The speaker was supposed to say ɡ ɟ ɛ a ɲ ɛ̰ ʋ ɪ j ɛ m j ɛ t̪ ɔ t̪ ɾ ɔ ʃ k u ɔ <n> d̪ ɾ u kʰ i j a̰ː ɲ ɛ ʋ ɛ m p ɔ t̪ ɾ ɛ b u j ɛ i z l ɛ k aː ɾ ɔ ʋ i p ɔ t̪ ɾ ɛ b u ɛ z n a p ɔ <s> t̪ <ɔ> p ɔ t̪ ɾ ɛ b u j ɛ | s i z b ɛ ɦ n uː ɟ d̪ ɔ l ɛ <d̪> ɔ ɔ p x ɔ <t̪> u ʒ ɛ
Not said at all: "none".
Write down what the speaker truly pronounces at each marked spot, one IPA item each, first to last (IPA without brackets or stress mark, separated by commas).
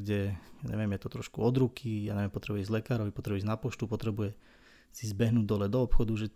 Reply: none, ʃ, u, d̪, d̪